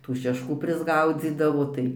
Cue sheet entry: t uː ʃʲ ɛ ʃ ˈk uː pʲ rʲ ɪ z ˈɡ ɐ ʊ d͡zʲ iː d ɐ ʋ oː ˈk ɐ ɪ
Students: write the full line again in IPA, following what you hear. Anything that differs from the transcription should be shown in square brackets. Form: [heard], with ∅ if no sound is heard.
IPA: t uː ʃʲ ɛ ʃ ˈk uː pʲ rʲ ɪ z ˈɡ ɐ ʊ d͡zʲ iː d ɐ ʋ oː [ˈt] ɐ ɪ